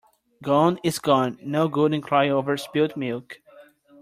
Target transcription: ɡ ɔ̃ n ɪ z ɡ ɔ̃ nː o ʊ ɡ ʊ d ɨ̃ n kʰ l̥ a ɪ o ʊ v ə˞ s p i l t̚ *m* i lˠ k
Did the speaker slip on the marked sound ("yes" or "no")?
no